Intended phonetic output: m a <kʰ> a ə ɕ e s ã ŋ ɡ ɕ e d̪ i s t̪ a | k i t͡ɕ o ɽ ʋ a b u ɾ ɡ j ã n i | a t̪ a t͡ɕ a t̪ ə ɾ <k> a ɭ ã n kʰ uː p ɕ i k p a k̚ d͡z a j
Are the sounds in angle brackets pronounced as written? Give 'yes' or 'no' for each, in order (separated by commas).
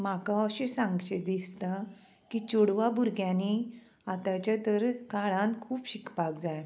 no, yes